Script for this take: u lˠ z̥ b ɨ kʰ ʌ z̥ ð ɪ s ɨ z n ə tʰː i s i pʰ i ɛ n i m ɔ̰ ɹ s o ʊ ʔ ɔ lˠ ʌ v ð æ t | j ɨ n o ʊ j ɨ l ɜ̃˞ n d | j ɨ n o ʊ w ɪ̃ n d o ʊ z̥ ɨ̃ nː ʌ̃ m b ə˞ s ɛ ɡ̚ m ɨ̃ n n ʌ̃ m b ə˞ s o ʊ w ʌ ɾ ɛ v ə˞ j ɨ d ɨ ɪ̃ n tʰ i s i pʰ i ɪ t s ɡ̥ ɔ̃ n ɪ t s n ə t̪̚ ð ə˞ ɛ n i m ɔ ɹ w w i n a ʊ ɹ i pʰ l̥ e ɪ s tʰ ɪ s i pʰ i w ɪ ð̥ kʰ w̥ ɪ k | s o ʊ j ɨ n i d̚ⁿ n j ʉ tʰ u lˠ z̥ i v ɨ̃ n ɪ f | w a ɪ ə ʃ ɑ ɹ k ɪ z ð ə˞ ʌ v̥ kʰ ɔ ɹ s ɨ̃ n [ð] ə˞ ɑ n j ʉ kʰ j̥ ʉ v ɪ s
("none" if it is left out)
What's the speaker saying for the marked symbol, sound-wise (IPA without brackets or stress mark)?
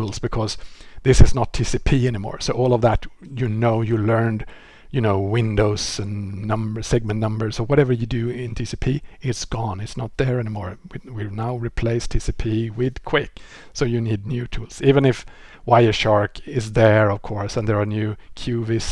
ð